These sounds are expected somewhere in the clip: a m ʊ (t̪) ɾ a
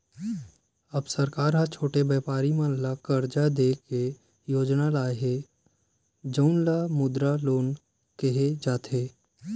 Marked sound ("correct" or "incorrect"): incorrect